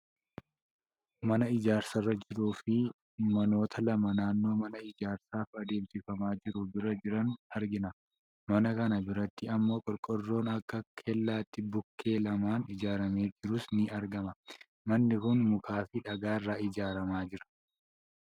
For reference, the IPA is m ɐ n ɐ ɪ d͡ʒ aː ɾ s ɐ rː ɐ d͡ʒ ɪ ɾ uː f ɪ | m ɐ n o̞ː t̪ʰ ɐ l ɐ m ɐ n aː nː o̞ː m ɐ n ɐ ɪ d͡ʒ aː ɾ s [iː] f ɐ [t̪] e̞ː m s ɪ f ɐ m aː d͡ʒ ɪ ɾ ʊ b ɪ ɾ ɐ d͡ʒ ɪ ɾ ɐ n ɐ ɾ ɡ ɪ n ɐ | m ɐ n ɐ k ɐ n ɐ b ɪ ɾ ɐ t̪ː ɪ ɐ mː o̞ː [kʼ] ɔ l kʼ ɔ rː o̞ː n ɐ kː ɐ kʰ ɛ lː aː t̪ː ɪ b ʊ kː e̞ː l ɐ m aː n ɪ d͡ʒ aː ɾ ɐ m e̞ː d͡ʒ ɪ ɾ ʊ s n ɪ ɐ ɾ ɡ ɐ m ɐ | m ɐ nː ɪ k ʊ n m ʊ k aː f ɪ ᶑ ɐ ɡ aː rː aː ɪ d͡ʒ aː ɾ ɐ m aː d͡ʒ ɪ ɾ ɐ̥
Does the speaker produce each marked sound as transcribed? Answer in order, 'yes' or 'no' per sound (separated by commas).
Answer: no, no, yes